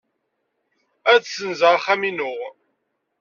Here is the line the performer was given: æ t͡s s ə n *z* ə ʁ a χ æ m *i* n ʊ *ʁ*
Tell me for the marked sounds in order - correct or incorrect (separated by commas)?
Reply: correct, correct, correct